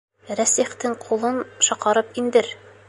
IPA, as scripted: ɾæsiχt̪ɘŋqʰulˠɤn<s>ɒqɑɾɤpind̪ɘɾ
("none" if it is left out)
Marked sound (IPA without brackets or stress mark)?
ʃ